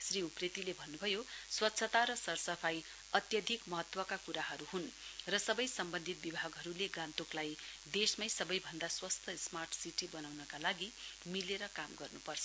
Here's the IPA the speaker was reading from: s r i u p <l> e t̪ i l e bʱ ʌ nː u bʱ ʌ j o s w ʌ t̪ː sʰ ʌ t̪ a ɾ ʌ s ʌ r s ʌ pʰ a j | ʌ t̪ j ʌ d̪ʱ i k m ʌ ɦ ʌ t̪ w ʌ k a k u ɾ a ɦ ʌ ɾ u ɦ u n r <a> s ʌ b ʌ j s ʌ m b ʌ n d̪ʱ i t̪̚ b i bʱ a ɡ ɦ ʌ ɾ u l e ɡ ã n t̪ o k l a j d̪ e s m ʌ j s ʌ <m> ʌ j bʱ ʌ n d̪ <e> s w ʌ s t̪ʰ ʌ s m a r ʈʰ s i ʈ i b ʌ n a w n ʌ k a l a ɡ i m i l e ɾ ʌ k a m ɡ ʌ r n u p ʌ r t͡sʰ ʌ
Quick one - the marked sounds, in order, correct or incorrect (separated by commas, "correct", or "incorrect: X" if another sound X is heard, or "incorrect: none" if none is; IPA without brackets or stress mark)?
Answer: incorrect: r, incorrect: ʌ, incorrect: b, incorrect: a